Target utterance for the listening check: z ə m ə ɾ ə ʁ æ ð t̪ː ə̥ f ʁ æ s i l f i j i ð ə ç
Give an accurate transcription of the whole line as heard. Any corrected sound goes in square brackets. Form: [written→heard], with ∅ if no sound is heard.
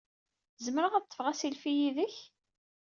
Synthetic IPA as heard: z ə m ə ɾ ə ʁ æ ð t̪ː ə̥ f ʁ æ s i l f i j i ð ə ç